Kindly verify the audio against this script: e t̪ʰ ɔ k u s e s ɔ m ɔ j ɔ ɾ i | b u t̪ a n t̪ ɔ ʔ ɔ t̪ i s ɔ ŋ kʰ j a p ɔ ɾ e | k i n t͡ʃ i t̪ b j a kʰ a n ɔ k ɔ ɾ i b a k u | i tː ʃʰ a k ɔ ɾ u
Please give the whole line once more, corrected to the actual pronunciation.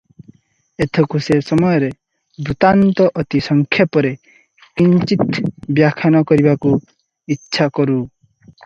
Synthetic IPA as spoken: e t̪ʰ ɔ k u s e s ɔ m ɔ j ɔ ɾ e | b u t̪ a n t̪ ɔ ʔ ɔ t̪ i s ɔ ŋ kʰ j a p ɔ ɾ e | k i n t͡ʃ i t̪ b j a kʰ a n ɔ k ɔ ɾ i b a k u | i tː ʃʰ a k ɔ ɾ u